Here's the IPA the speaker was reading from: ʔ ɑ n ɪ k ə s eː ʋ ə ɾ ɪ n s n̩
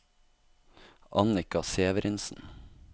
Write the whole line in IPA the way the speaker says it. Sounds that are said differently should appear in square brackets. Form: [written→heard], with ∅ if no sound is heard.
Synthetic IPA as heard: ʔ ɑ n ɪ k [ə→ɑ] s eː ʋ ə ɾ ɪ n s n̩